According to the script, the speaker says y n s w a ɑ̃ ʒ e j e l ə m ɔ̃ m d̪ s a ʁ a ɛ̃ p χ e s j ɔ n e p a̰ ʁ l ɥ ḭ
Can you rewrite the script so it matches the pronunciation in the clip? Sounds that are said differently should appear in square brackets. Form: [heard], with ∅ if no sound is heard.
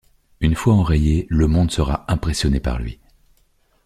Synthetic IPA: y n [f] w a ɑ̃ [ʁ] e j e l ə m ɔ̃ [∅] d̪ s [ə] ʁ a ɛ̃ p χ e s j ɔ n e p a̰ ʁ l ɥ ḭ